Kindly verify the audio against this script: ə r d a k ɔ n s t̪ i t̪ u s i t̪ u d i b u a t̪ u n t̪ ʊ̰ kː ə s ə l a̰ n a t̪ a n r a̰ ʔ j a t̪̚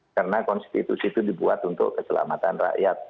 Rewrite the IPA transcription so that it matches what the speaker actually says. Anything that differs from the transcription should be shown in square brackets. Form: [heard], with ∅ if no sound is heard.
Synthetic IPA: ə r [n] a k ɔ n s t̪ i t̪ u s i t̪ u d i b u a t̪ u n t̪ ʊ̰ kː ə s ə l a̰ [m] a t̪ a n r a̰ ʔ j a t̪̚